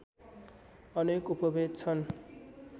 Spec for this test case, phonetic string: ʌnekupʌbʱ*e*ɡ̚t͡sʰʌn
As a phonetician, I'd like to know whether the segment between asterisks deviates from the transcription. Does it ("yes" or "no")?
no